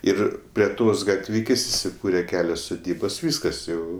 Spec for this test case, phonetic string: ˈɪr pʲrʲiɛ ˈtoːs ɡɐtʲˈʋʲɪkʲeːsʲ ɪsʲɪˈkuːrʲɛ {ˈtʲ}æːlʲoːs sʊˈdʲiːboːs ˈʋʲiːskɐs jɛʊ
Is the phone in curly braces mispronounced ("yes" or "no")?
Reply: yes